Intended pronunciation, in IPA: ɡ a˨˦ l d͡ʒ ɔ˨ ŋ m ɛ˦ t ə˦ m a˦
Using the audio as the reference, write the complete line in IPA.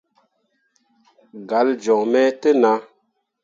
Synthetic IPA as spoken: ɡ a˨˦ l d͡ʒ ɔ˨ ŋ m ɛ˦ t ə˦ n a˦